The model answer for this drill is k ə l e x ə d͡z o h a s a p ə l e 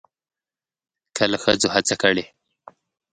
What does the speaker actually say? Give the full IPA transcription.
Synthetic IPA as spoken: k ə l a x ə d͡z o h a t͡s a k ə ɽ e